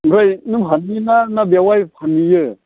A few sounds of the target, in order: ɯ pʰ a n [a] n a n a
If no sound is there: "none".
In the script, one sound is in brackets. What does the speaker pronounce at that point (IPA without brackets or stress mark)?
i